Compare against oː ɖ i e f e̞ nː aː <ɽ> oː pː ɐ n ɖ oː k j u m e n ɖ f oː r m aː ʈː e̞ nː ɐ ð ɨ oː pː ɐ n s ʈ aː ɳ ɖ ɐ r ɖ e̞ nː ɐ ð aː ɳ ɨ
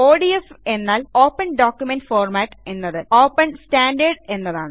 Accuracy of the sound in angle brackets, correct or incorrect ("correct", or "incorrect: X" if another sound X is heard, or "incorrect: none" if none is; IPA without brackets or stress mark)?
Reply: incorrect: l